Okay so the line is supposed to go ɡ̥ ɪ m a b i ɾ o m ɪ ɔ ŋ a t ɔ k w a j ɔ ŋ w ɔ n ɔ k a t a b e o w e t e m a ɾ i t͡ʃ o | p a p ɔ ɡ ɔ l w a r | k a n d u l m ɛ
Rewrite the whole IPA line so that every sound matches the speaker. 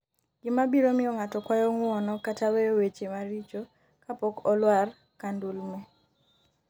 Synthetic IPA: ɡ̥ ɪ m a b i ɾ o m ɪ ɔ ŋ a t ɔ k w a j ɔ ŋ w ɔ n ɔ k a t a w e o w e t͡ʃ e m a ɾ i t͡ʃ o | k a p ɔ k ɔ l w a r | k a n d u l m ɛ